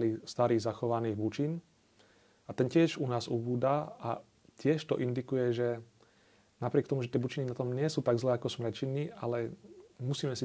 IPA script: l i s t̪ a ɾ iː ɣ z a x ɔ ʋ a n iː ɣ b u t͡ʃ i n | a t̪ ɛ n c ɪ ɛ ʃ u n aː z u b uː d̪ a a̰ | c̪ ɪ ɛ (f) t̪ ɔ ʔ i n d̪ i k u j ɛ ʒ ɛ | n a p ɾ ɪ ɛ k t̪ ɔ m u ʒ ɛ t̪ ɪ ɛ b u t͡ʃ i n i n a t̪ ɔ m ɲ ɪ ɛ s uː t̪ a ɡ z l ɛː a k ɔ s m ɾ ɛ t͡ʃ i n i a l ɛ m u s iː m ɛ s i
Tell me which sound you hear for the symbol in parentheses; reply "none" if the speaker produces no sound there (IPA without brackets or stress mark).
ʃ